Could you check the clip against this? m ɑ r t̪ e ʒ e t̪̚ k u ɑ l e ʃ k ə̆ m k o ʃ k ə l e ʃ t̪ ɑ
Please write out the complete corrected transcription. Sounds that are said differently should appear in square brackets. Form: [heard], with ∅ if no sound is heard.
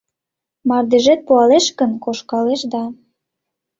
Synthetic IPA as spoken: m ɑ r [d̪] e ʒ e t̪̚ [p] u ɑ l e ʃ k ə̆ [n] k o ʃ k [ɑ] l e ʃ [d̪] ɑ